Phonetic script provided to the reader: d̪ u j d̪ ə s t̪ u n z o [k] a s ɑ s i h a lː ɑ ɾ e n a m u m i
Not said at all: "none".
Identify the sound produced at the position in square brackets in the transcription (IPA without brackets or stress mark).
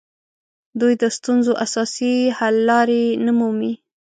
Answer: ʔ